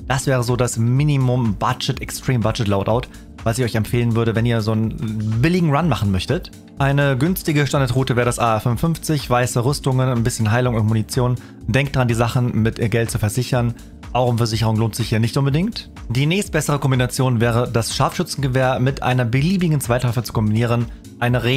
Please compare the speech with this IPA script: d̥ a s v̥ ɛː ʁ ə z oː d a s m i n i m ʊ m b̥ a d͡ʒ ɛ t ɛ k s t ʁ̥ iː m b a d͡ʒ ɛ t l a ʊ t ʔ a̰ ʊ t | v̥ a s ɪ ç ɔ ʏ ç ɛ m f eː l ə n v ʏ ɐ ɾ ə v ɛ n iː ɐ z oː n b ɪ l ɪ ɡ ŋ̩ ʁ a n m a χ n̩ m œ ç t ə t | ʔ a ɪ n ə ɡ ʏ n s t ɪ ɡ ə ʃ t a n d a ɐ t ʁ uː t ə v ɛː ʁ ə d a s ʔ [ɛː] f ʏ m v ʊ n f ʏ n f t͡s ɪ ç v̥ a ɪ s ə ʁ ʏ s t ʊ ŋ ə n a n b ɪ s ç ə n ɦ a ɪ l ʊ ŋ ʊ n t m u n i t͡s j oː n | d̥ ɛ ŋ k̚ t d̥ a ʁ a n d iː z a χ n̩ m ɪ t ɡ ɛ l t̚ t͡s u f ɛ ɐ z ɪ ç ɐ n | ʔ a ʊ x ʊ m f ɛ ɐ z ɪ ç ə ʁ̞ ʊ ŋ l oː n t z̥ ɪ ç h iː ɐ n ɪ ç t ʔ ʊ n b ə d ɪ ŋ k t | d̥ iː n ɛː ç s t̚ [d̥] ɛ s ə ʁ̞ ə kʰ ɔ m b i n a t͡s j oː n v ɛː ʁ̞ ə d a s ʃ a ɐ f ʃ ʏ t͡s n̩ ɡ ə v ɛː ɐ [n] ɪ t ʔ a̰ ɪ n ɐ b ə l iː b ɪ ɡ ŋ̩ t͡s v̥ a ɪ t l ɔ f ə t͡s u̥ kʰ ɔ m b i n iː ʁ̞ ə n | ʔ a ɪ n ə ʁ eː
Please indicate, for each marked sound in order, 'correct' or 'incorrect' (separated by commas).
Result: incorrect, incorrect, incorrect